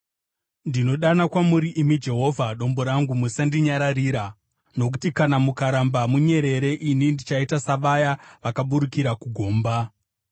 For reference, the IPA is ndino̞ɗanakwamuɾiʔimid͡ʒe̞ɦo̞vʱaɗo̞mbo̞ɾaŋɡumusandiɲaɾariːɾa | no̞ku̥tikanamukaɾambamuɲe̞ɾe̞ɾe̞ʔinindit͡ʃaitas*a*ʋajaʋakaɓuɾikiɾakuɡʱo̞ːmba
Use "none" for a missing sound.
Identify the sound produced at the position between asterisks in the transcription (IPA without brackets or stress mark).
a